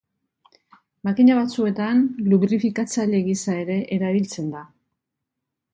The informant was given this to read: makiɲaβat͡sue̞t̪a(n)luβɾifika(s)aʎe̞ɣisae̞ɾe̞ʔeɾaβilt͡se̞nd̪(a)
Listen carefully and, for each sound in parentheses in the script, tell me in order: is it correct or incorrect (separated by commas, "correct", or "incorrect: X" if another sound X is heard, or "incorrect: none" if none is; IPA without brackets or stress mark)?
correct, incorrect: t͡s, correct